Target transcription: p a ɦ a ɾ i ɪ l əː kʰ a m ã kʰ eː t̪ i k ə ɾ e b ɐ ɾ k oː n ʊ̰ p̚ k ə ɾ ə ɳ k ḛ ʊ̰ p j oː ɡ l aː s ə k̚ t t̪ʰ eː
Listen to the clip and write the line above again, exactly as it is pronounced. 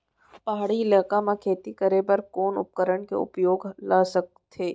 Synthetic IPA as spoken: p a ɦ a ɽ i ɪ l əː k a m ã kʰ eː t̪ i k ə ɾ e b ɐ ɾ k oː n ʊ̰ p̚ k ə ɾ ə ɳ k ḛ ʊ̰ p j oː ɡ l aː s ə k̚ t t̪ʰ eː